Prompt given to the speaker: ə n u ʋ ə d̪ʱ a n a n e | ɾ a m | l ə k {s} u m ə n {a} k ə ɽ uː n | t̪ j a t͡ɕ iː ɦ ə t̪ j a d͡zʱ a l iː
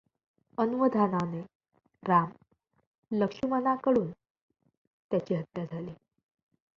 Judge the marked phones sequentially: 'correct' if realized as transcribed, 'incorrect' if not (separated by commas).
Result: incorrect, correct